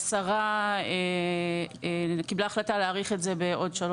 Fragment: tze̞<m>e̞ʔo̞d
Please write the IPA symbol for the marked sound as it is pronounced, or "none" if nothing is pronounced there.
b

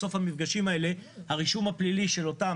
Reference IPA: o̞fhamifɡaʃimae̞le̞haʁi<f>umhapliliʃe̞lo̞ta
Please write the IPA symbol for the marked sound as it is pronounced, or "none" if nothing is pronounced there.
ʃ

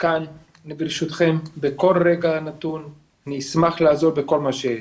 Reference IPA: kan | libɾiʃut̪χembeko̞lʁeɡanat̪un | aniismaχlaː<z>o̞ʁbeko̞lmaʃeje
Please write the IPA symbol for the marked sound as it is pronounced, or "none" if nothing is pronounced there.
z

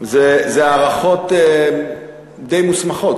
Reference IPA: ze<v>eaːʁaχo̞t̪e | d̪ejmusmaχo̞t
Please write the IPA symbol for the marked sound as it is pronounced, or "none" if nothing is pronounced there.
z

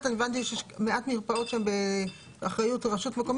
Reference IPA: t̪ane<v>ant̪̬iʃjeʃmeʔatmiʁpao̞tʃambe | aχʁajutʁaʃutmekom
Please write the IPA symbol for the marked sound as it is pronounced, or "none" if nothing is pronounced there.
v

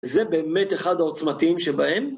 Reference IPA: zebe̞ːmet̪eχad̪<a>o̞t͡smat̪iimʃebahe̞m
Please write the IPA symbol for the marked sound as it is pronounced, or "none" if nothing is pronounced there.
a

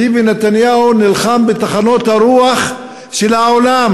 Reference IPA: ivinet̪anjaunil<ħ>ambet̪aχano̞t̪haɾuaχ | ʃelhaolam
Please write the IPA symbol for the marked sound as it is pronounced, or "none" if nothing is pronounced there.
χ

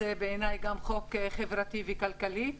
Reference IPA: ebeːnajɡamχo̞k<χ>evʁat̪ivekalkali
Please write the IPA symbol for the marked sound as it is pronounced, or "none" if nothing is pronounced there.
χ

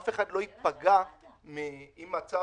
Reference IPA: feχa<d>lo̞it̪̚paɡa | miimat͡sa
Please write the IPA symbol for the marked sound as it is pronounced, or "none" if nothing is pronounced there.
d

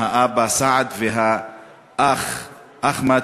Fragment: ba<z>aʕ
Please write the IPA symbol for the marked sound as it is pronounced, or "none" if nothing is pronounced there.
s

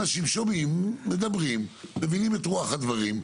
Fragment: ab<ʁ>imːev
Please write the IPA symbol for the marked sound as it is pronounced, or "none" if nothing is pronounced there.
ʁ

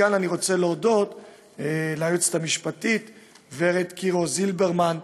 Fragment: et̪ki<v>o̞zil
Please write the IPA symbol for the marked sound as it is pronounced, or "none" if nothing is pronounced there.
ʁ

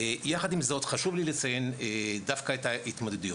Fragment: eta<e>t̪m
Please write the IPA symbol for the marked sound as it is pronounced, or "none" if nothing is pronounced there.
i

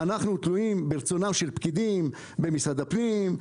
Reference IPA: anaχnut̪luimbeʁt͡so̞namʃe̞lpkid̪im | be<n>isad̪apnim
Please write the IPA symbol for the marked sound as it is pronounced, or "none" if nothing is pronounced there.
m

